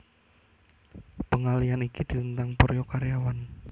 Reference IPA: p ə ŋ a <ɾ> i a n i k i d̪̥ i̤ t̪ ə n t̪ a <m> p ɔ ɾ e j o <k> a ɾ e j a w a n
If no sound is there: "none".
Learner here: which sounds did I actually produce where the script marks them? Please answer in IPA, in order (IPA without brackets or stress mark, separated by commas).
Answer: l, ŋ, k